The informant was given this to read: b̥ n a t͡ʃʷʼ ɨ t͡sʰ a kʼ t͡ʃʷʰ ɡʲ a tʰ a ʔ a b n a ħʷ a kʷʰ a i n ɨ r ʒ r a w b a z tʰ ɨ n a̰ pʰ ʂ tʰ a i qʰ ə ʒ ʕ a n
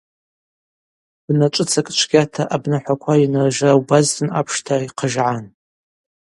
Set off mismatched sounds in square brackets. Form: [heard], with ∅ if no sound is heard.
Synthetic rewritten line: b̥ n a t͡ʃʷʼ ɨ t͡sʰ a kʼ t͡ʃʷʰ ɡʲ a tʰ a ʔ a b n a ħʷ a kʷʰ a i n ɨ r ʒ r a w b a z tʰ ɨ n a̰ pʰ ʂ tʰ a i qʰ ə ʒ ʕ a n